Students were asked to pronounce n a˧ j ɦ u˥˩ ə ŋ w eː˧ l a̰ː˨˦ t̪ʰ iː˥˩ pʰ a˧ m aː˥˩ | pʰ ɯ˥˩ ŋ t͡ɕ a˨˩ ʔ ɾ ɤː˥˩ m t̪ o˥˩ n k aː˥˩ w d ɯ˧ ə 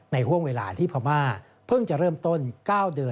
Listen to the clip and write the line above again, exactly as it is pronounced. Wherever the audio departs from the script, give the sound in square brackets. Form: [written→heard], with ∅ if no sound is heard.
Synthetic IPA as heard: n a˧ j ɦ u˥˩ ə ŋ w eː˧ l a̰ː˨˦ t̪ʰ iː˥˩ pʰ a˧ m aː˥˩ | pʰ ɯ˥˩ ŋ t͡ɕ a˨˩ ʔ ɾ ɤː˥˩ m t̪ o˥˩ n k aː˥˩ w d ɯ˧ ə